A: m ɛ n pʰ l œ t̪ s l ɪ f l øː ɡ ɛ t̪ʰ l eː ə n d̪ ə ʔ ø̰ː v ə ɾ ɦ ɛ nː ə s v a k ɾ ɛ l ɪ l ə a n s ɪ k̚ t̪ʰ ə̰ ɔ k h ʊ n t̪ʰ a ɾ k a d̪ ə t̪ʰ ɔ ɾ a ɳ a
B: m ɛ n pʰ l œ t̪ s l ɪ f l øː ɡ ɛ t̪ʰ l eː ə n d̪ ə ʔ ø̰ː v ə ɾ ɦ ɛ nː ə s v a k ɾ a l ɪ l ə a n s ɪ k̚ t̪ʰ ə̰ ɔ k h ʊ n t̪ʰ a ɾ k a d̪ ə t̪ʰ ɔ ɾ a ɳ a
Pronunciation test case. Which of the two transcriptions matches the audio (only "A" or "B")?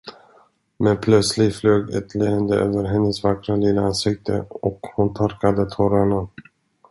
B